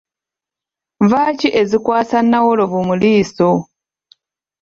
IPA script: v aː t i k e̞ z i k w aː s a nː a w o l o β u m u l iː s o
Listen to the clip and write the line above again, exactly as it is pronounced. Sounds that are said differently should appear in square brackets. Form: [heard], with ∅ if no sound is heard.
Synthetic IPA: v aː [c] i [ʔ] e̞ z i k w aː s a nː a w o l o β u m u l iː s o